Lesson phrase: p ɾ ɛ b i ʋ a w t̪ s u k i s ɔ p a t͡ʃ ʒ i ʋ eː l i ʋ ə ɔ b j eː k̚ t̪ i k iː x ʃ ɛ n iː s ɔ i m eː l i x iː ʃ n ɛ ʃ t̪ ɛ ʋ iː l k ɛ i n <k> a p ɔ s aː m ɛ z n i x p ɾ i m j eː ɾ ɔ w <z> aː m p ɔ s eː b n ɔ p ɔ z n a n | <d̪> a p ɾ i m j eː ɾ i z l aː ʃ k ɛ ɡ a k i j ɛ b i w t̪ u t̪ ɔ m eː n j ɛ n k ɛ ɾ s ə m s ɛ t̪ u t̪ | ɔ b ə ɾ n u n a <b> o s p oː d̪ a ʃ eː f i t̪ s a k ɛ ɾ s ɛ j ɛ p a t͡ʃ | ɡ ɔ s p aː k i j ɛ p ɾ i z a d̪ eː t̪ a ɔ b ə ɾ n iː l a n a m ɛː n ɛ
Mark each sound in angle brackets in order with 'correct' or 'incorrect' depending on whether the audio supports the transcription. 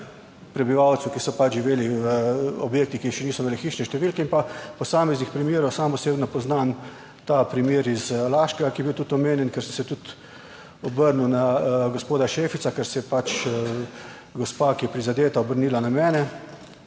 incorrect: p, incorrect: s, incorrect: t̪, incorrect: ɡ

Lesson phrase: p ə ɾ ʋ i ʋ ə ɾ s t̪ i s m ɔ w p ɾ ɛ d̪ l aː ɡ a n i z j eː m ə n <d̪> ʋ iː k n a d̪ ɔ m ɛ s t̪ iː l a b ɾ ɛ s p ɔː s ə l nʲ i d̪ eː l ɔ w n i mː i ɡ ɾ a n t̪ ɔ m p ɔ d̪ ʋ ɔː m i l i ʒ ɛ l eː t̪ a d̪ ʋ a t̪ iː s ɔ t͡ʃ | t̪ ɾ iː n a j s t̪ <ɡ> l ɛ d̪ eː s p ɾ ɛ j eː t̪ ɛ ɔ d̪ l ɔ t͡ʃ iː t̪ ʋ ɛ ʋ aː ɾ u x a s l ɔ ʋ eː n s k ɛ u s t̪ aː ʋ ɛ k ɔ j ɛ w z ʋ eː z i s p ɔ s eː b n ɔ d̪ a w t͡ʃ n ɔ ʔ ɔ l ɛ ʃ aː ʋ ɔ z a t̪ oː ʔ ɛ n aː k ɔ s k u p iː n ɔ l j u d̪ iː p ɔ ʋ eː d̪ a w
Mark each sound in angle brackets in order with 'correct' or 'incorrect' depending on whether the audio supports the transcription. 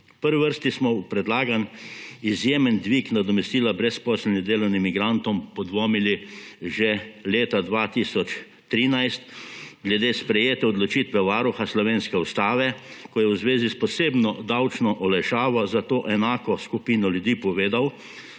correct, correct

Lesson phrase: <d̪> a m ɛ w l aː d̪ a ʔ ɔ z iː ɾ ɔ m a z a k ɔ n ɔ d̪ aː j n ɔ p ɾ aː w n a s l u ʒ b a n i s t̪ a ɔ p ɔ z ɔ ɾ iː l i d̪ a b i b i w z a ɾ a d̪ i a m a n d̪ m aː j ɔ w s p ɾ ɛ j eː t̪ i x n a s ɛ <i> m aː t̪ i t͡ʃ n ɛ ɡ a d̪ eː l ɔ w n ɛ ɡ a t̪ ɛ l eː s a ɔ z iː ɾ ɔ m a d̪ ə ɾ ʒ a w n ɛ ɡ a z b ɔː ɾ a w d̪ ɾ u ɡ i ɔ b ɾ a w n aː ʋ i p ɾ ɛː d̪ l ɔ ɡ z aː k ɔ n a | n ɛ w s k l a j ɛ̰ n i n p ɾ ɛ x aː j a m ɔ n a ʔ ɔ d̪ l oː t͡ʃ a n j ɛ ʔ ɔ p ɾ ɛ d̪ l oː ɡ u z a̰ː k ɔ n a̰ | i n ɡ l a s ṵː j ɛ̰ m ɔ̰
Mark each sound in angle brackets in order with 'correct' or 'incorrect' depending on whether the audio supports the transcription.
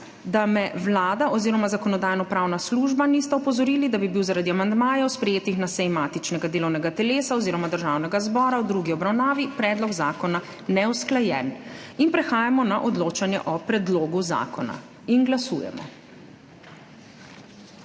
correct, incorrect: j

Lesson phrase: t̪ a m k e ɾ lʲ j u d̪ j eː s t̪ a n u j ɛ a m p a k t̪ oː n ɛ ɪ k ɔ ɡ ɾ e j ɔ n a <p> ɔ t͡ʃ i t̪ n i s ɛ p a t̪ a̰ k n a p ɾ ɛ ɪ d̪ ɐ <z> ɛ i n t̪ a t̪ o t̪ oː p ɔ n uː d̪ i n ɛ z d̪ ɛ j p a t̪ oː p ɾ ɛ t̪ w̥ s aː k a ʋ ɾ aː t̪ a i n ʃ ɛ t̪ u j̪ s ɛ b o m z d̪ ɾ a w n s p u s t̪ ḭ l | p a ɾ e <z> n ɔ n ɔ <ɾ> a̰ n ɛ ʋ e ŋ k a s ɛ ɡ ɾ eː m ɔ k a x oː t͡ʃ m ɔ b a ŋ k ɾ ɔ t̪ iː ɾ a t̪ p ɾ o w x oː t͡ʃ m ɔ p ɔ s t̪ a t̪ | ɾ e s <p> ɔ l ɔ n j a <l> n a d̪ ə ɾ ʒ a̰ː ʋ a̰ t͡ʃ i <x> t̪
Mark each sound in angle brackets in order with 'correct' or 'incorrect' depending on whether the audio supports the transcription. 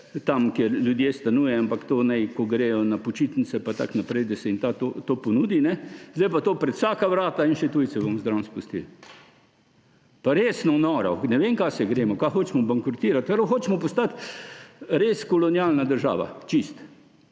correct, incorrect: s, incorrect: s, correct, incorrect: k, correct, incorrect: s

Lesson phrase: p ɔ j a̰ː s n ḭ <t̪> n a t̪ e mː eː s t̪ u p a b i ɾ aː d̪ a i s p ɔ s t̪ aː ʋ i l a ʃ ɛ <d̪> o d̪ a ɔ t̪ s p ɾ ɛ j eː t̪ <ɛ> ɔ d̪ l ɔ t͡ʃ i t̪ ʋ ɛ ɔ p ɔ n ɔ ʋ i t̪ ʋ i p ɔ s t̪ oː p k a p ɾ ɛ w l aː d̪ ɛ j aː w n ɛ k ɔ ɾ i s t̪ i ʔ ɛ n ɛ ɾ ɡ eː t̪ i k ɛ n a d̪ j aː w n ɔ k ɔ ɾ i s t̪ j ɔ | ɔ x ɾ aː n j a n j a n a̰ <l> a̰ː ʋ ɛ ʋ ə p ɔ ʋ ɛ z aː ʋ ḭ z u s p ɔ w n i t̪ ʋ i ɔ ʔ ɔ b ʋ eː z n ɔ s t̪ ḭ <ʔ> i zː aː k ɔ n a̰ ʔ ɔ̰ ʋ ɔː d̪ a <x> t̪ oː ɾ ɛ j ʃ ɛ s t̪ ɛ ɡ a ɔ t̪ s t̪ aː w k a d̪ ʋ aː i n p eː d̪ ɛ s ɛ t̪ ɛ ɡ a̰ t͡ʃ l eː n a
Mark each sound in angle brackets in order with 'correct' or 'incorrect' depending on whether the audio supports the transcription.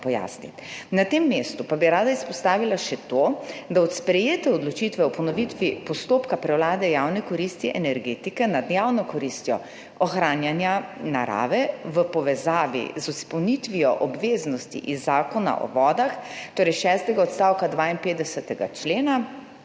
correct, incorrect: t̪, correct, incorrect: ɾ, correct, correct

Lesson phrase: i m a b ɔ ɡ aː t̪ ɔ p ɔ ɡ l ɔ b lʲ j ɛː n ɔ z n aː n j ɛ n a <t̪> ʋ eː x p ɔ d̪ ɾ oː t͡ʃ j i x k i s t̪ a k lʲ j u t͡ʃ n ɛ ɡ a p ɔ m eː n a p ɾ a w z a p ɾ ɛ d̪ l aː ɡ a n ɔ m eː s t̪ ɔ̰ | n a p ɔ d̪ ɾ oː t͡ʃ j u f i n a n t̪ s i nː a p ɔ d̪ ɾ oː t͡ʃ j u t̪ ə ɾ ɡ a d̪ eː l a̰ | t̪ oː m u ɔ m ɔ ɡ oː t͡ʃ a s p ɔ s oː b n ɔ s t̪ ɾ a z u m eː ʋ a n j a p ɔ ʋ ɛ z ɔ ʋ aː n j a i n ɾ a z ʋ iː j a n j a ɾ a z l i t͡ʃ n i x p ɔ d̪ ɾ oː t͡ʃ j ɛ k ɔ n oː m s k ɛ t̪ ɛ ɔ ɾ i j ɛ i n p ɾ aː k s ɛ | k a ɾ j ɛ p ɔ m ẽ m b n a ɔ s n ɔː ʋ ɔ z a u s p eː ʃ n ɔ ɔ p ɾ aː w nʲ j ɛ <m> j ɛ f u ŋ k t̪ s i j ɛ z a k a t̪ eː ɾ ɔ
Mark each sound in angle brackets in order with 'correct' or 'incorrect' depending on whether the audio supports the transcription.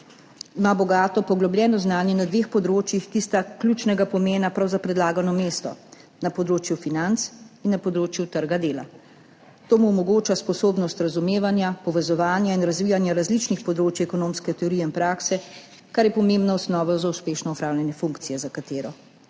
incorrect: d̪, incorrect: n

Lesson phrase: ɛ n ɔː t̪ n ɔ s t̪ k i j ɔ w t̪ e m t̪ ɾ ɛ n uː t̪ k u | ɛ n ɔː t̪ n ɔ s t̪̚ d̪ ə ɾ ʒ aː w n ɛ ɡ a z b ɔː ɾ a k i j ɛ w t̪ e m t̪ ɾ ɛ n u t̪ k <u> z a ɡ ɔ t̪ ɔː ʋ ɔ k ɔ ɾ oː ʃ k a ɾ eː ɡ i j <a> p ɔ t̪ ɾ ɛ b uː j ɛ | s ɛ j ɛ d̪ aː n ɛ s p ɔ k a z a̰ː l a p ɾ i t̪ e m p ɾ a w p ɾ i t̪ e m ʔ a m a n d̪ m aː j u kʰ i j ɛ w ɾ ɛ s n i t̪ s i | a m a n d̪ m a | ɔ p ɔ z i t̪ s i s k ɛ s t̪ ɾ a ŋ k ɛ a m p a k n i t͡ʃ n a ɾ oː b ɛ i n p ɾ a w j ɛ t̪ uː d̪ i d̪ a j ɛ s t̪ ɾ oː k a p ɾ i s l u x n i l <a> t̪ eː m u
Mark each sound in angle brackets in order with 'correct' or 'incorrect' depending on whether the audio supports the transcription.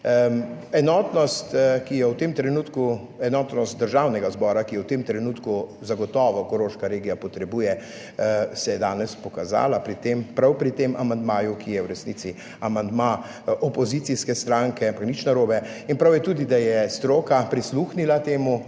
correct, correct, correct

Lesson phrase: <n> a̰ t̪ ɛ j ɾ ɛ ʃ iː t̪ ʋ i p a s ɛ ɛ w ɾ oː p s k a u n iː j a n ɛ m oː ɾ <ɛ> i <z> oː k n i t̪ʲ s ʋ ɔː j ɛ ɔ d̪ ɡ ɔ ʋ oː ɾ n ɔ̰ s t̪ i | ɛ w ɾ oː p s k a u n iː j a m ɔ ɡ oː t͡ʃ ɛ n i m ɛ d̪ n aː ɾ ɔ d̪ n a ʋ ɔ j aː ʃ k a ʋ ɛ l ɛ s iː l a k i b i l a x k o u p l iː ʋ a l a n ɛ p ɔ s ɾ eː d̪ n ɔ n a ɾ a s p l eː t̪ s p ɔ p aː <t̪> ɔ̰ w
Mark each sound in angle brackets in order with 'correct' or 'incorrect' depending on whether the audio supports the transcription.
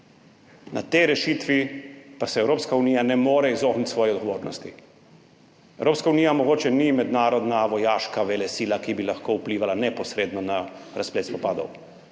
correct, correct, correct, incorrect: d̪

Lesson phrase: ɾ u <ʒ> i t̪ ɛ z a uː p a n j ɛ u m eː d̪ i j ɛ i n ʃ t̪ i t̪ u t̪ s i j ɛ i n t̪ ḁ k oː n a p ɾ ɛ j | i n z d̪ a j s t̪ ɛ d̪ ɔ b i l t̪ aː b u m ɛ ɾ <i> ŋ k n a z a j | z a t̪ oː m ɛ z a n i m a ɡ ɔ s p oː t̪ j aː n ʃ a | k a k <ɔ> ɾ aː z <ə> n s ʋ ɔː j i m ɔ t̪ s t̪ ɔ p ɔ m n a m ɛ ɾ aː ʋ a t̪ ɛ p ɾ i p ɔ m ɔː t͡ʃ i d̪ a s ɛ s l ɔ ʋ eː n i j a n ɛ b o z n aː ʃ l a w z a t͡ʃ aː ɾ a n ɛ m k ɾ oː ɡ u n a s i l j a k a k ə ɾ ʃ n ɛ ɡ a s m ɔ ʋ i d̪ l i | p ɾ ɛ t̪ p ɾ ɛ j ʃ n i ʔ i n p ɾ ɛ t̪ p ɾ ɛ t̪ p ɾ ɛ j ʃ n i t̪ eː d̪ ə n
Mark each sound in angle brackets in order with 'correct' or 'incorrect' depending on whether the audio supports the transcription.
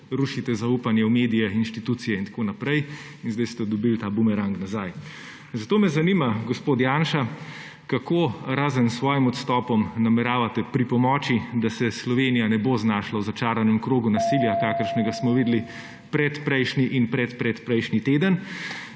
incorrect: ʃ, incorrect: a, incorrect: o, correct

